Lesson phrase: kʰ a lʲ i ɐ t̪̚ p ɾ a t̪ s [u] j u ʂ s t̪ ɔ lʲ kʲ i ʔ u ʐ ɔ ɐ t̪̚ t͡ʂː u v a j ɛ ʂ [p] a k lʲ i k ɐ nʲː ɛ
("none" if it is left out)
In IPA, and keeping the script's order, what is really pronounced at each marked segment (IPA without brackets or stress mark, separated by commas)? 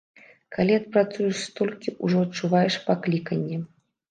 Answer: u, p